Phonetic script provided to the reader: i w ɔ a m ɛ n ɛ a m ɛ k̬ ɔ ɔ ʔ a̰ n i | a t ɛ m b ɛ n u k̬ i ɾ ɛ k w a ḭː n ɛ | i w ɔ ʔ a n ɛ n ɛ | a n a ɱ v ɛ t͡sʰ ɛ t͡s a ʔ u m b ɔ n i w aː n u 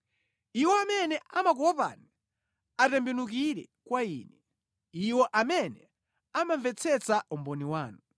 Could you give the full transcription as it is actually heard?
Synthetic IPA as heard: i w ɔ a m ɛ n ɛ a m a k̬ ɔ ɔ p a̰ n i | a t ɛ m b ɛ n u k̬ i ɾ ɛ k w a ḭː n ɛ | i w ɔ ʔ a m ɛ n ɛ | a m a ɱ v ɛ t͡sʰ ɛ t͡s a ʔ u m b ɔ n i w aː n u